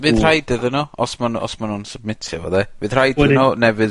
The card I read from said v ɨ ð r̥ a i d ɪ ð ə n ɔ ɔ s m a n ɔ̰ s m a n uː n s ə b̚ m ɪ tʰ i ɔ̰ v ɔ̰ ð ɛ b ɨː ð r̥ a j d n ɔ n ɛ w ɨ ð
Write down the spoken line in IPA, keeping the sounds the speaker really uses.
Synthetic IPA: v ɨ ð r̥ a j d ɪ ð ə n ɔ ɔ s m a n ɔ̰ s m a n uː n s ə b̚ m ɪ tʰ j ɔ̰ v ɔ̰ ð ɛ v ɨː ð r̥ a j d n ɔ n ɛ v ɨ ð